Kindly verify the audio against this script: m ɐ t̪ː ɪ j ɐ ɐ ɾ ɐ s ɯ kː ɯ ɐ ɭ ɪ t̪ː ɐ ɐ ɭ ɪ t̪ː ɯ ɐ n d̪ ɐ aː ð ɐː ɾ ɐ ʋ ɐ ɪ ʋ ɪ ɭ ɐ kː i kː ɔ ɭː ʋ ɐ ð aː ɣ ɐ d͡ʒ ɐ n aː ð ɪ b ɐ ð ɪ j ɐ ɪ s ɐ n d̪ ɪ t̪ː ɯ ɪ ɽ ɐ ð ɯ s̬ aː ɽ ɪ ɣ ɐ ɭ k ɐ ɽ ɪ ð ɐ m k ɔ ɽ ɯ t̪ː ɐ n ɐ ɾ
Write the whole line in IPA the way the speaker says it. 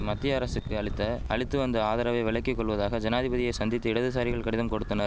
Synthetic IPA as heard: m ɐ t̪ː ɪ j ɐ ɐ ɾ ɐ s ɯ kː ɯ ɐ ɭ ɪ t̪ː ɐ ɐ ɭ ɪ t̪ː ɯ ɐ n d̪ ɐ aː ð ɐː ɾ ɐ ʋ ɐ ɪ ʋ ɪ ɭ ɐ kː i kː ɔ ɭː ʋ ɐ ð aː ɣ ɐ d͡ʒ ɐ n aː ð ɪ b ɐ ð ɪ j ɐ ɪ s ɐ n d̪ ɪ t̪ː ɯ ɪ ɽ ɐ ð ɯ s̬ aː ɾ ɪ ɣ ɐ ɭ k ɐ ɽ ɪ ð ɐ m k ɔ ɽ ɯ t̪ː ɐ n ɐ ɾ